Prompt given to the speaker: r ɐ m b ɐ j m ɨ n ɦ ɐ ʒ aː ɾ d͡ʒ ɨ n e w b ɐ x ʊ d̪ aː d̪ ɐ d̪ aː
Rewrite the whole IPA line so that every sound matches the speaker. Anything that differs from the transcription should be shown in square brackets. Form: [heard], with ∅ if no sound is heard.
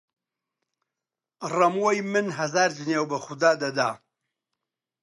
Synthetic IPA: r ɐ m [w] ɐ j m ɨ n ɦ ɐ [z] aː ɾ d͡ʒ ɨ n e w b ɐ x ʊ d̪ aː d̪ ɐ d̪ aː